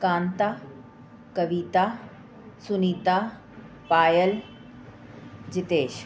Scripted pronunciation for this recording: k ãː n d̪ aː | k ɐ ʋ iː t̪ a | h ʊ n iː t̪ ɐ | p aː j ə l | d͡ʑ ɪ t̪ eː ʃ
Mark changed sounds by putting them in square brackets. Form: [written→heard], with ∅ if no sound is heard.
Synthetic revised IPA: k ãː n [d̪→t̪] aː | k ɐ ʋ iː t̪ a | [h→s] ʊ n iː t̪ [ɐ→a] | p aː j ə l | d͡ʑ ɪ t̪ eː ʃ